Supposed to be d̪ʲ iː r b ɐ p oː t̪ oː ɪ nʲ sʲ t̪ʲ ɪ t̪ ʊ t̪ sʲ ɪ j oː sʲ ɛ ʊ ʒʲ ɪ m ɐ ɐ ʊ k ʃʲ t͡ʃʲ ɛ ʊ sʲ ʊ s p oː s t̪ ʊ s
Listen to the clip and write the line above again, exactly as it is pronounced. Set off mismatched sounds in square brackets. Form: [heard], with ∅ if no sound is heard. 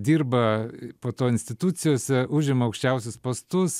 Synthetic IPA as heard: d̪ʲ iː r b ɐ p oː t̪ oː ɪ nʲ sʲ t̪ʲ ɪ t̪ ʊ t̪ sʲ ɪ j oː sʲ ɛ ʊ ʒʲ ɪ m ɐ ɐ ʊ k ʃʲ t͡ʃʲ ɛ ʊ sʲ ʊ s p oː s t̪ ʊ s